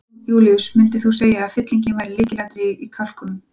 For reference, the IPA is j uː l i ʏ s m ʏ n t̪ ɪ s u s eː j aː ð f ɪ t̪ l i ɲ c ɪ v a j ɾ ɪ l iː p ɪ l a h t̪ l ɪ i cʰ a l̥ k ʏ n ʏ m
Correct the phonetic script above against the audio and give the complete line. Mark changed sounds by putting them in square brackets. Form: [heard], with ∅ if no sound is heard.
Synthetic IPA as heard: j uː l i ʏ s m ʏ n t̪ ɪ [θ] u s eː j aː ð f ɪ t̪ l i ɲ c ɪ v a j ɾ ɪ l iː [c] ɪ l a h t̪ [ɾ] ɪ i [kʰ] a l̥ k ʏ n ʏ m